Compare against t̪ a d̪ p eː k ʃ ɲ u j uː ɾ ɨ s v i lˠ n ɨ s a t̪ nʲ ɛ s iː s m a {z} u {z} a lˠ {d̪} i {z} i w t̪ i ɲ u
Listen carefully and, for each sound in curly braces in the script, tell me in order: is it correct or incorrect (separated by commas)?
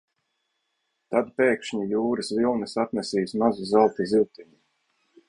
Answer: correct, correct, incorrect, correct